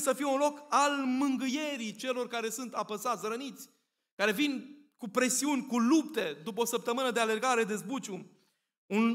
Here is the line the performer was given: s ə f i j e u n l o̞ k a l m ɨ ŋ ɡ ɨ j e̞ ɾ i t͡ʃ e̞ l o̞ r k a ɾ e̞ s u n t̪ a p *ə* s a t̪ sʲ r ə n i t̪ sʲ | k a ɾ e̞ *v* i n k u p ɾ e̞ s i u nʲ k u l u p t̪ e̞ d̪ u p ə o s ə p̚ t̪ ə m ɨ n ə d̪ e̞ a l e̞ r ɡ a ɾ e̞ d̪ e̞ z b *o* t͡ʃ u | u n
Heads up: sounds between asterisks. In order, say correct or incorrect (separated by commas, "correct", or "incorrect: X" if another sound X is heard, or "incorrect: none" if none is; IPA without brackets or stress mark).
correct, correct, incorrect: u